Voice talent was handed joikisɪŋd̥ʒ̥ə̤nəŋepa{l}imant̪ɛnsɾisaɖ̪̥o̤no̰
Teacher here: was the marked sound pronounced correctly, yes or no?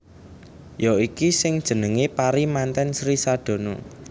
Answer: no